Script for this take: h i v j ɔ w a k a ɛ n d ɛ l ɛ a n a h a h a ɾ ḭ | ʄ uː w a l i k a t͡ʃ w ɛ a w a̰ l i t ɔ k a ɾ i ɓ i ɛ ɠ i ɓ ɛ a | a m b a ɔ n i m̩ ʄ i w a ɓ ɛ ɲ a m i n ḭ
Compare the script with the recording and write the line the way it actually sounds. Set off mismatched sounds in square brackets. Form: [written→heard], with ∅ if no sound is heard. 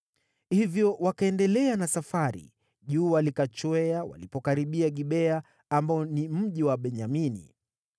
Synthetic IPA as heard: h i v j ɔ w a k a ɛ n d ɛ l ɛ a n a [h→s] a [h→f] a ɾ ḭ | ʄ uː w a l i k a t͡ʃ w ɛ a w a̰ l i [t→p] ɔ k a ɾ i ɓ i [ɛ→a] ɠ i ɓ ɛ a | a m b a ɔ n i m̩ ʄ i w a ɓ ɛ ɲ a m i n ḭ